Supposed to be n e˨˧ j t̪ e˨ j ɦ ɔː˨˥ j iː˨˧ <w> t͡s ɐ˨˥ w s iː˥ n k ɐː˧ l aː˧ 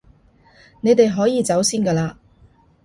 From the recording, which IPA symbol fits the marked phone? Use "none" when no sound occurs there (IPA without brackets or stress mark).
none